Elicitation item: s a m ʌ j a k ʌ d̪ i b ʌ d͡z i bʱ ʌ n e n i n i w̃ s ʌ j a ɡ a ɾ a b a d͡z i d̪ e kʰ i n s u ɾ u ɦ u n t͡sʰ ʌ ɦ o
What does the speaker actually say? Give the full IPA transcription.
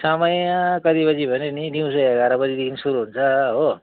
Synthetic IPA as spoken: s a m ʌ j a k ʌ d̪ i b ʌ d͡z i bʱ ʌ n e n i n i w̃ s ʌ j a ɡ a ɾ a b ʌ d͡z i d̪ e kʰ i n s u ɾ u ɦ u n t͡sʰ ʌ ɦ o